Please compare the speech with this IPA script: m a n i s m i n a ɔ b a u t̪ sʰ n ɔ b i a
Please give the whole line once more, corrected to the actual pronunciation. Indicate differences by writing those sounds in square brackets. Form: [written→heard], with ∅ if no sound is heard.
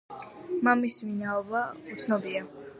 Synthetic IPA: m a [n→m] i s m i n a ɔ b a u t̪ sʰ n ɔ b i a